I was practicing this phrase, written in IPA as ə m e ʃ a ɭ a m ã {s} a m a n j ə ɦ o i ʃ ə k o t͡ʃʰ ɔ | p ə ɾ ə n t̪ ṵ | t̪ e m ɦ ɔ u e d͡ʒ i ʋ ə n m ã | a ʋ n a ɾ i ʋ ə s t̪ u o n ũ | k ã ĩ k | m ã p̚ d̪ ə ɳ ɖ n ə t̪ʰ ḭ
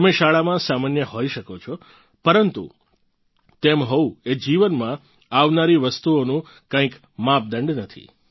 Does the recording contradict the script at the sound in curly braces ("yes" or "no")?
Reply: no